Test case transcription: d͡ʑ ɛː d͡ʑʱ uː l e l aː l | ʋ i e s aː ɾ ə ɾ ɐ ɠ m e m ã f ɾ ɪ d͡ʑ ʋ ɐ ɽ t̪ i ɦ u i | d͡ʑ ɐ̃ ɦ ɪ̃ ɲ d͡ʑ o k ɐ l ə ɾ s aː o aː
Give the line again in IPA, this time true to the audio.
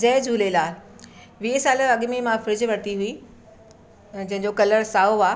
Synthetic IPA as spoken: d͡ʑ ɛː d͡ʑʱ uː l e l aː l | ʋ i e s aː l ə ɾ ɐ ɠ m e m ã f ɾ ɪ d͡ʑ ʋ ɐ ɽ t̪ i ɦ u i | d͡ʑ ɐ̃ ɦ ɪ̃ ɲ d͡ʑ o k ɐ l ə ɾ s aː o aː